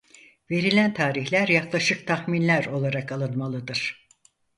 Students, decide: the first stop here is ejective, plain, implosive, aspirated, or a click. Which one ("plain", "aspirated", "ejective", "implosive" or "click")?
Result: aspirated